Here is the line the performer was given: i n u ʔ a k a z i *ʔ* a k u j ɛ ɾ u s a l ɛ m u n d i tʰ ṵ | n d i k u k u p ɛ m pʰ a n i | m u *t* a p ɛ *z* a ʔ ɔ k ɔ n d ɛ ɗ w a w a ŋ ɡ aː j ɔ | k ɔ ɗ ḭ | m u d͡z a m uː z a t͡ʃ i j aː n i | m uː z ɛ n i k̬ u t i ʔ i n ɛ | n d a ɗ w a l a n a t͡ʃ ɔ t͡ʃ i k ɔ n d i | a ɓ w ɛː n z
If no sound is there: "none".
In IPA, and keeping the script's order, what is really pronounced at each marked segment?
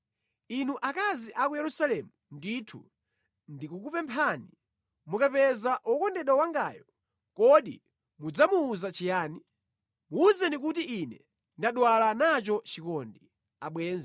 ʔ, k, z

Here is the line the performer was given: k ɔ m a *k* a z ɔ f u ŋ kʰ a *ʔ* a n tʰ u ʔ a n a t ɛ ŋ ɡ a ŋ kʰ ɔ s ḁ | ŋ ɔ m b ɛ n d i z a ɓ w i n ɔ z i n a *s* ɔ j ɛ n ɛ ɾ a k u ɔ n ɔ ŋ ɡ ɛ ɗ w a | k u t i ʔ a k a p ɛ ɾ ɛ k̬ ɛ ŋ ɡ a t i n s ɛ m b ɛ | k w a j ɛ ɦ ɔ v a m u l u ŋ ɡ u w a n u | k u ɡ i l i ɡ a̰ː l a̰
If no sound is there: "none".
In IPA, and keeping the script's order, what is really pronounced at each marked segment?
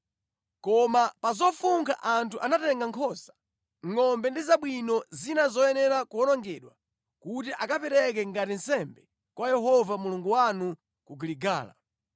p, ʔ, z

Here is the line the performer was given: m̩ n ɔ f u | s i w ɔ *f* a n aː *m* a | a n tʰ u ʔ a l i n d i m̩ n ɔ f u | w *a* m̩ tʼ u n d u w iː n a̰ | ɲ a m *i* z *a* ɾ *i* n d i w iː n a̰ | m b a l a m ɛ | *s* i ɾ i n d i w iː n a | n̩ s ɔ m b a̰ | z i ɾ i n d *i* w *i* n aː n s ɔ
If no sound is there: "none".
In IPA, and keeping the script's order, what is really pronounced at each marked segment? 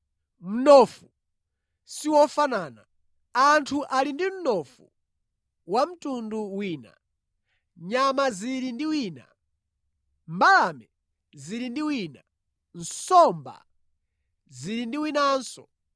f, n, a, a, i, i, z, i, i

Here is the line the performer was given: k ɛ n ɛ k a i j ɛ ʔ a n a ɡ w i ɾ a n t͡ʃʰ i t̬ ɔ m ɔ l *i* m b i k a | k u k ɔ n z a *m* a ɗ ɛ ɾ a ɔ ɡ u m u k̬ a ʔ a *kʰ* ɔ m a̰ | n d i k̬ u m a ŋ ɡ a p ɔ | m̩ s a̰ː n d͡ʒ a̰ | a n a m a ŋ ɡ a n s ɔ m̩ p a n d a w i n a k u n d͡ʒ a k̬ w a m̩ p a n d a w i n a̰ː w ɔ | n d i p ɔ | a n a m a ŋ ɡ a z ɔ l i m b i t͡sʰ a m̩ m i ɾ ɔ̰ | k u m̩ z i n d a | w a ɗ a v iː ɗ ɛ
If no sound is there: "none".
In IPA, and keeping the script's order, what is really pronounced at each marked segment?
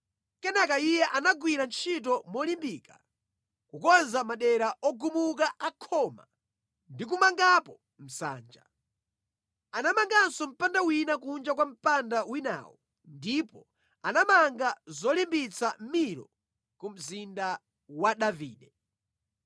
i, m, kʰ

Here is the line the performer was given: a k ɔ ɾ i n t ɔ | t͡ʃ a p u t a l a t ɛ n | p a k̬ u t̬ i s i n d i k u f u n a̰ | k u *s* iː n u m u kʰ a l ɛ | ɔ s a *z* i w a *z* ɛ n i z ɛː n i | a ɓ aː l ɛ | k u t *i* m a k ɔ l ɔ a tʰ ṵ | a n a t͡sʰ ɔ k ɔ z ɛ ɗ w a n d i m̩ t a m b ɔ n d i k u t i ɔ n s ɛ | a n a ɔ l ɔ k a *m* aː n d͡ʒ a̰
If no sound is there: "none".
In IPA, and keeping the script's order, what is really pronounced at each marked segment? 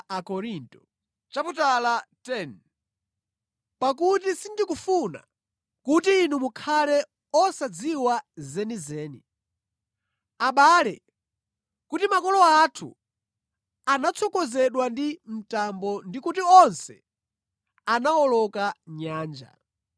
t, d͡z, z, i, ɲ

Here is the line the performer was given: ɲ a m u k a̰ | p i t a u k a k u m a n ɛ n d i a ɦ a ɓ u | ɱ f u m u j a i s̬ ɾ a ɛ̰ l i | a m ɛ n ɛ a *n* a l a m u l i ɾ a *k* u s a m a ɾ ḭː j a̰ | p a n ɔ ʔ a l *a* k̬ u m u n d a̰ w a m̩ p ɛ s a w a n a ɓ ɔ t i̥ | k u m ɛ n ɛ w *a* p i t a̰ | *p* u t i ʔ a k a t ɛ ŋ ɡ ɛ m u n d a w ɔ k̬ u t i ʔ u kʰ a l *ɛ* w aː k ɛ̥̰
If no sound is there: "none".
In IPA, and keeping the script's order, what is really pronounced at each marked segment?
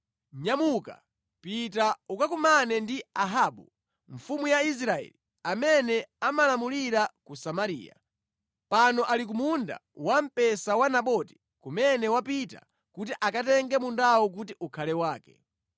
m, k, i, a, k, ɛ

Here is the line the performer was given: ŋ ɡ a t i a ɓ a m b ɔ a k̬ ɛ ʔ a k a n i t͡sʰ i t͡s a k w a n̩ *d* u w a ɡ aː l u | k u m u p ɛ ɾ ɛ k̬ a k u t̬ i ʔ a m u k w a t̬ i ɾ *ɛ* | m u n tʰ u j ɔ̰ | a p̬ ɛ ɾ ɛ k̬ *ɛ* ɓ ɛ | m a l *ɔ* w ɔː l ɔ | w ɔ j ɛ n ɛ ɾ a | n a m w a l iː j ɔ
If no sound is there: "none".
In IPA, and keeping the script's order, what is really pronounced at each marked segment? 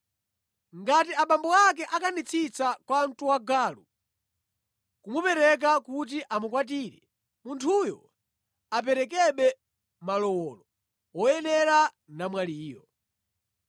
t, ɛ, ɛ, ɔ

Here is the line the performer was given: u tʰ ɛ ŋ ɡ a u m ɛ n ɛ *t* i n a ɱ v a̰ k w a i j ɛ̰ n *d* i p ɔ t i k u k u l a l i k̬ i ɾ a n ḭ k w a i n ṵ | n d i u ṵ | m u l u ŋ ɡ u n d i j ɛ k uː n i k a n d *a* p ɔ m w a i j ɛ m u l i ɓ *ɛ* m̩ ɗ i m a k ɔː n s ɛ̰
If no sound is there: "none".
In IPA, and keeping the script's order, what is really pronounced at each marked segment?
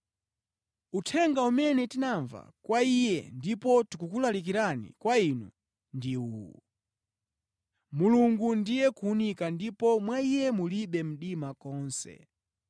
t, d, i, ɛ

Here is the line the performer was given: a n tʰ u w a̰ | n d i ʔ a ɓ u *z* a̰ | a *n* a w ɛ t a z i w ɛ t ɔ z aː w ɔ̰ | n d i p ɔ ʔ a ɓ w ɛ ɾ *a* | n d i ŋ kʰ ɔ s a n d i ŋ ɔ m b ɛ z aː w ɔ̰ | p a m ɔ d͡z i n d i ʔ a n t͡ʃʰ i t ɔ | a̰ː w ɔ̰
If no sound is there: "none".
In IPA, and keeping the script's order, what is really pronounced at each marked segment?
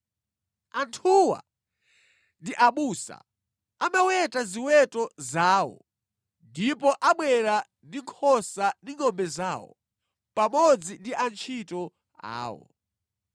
s, m, a

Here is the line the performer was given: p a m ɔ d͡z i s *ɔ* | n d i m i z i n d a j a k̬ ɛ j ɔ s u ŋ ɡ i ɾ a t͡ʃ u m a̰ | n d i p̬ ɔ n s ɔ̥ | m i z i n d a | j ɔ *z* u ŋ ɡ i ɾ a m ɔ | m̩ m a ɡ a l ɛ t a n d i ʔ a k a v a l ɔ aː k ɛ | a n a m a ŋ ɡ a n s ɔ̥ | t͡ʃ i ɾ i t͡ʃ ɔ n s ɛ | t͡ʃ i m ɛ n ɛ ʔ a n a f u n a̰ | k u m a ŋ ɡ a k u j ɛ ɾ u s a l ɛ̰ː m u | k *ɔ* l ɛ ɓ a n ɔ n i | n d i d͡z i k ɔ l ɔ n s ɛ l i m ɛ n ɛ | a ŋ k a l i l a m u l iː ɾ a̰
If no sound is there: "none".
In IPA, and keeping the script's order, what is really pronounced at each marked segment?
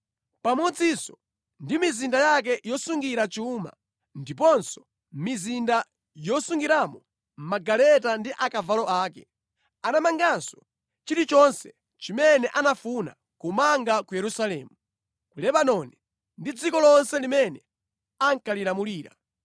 ɔ, s, u

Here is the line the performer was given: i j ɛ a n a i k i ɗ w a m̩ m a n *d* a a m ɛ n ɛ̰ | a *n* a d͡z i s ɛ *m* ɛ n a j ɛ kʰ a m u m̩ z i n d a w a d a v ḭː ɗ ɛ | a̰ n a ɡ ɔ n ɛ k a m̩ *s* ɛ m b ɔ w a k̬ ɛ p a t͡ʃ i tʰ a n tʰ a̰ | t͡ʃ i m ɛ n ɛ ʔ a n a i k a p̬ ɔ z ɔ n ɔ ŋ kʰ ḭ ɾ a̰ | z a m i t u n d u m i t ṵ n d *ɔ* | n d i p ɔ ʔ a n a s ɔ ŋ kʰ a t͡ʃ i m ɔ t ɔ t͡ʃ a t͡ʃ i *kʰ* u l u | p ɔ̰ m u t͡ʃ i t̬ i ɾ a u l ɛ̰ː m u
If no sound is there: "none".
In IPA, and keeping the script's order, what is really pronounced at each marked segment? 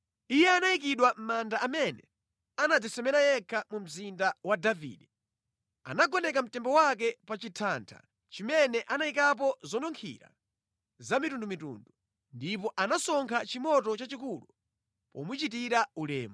d, n, m, t, u, k

